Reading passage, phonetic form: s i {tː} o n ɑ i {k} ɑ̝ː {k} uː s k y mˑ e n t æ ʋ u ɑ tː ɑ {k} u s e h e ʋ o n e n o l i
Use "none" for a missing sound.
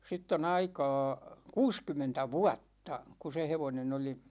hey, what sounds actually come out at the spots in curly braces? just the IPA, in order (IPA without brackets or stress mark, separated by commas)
tː, k, k, k